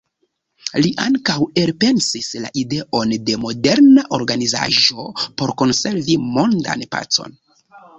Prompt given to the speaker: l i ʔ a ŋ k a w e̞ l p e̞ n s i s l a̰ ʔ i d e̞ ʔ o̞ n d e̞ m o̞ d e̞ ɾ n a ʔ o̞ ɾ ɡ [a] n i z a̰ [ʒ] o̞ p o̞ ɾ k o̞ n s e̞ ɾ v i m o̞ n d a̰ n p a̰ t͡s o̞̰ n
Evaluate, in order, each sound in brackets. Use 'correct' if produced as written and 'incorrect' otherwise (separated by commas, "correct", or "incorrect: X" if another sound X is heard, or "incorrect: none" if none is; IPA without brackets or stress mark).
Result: correct, correct